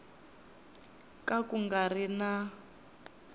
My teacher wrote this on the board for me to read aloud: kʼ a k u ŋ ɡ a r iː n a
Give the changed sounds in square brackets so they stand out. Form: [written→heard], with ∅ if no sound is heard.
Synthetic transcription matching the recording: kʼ a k u ŋ ɡ a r [iː→i] n a